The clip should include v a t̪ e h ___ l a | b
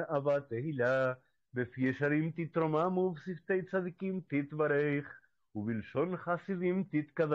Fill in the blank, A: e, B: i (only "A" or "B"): B